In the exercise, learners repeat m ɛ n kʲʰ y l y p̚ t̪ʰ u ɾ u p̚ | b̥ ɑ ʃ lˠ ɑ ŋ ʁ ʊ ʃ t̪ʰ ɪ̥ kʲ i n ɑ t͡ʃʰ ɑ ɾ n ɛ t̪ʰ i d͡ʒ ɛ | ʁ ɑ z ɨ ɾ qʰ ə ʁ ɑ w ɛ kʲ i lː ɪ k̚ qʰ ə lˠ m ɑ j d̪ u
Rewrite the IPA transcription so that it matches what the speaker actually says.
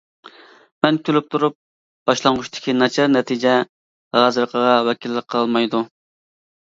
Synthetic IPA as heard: m ɛ n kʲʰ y l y p̚ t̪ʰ u ɾ u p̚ | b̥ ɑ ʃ lˠ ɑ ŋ ʁ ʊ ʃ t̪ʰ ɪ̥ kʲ i n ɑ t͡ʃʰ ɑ ɾ n ɛ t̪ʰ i d͡ʒ ɛ | ʁ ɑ z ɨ ɾ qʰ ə ʁ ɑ w ɛ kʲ i lː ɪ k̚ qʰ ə lˠ m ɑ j d̪ u